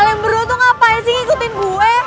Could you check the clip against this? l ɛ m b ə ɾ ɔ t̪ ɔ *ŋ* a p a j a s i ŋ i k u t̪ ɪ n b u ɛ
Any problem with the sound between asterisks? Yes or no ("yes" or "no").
no